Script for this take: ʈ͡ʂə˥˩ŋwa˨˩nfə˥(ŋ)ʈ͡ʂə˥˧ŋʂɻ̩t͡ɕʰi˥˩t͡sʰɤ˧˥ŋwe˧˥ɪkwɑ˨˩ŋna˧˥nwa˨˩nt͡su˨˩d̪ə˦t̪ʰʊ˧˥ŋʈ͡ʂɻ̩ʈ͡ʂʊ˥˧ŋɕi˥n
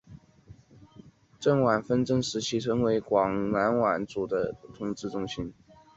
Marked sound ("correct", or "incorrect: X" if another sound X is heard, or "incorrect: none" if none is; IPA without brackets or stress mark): incorrect: n